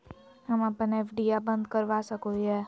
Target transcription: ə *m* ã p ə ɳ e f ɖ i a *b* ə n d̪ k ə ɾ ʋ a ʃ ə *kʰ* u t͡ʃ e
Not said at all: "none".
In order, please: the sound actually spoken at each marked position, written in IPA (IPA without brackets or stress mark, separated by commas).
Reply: m, b, k